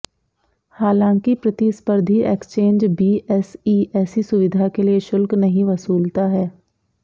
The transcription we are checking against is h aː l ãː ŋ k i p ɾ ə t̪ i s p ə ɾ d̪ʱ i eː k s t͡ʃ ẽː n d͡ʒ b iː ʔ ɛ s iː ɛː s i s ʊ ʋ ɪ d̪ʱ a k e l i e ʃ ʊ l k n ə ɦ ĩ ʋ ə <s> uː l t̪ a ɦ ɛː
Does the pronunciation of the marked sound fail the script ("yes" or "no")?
no